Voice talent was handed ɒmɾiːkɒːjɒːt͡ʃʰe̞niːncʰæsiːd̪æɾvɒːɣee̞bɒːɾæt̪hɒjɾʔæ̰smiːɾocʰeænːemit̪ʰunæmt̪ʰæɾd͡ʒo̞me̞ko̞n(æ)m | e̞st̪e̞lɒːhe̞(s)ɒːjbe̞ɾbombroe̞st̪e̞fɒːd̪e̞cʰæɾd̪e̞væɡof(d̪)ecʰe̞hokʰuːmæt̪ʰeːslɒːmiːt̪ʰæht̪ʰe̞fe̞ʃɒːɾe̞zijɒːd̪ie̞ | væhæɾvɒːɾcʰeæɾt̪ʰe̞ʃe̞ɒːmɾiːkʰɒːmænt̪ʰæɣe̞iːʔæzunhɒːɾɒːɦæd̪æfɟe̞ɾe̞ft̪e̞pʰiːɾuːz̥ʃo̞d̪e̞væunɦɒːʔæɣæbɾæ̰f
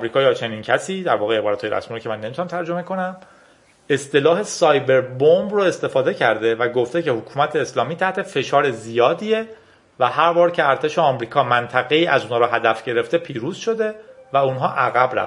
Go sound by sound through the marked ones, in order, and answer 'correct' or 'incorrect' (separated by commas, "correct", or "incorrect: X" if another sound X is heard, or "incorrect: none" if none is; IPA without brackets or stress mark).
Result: correct, correct, incorrect: t̪